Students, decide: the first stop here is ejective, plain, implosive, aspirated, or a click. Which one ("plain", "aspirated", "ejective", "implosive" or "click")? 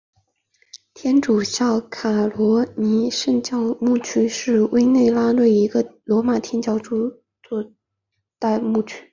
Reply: aspirated